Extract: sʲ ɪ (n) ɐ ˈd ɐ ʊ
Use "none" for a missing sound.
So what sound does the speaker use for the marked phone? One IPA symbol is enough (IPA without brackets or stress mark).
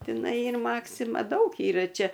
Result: m